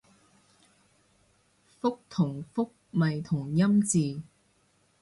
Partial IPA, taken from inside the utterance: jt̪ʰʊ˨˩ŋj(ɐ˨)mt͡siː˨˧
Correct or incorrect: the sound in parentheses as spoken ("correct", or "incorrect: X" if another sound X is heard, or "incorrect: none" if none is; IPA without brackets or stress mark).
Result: incorrect: ɐ˥